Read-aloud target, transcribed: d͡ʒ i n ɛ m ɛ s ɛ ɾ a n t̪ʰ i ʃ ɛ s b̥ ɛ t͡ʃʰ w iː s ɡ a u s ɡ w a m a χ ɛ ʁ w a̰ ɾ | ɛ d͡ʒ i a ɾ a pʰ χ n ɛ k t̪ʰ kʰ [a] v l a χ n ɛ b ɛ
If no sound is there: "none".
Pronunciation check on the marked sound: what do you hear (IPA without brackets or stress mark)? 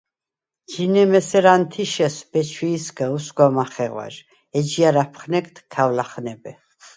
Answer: a